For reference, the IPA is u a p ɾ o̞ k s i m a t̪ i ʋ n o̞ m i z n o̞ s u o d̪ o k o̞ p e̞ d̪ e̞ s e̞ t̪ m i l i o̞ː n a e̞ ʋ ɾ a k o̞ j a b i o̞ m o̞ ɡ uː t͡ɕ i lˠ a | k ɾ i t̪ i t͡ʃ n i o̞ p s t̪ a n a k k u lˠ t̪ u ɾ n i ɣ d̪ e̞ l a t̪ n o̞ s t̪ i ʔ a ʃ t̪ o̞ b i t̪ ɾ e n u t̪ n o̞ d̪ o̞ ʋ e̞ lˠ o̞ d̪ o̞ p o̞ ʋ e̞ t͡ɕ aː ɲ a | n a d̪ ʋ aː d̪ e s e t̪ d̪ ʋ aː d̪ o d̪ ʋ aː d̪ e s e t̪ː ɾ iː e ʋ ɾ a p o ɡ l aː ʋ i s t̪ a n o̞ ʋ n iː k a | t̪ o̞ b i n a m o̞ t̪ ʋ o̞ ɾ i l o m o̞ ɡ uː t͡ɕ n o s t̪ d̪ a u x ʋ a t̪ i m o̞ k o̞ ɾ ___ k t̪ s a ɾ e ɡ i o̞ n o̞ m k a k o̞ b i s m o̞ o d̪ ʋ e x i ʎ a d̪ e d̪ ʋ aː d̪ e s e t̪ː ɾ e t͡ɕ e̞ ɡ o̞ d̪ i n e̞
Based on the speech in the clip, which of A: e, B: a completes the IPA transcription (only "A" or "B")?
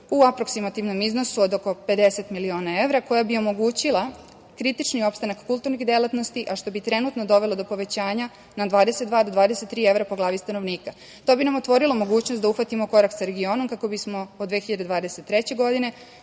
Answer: B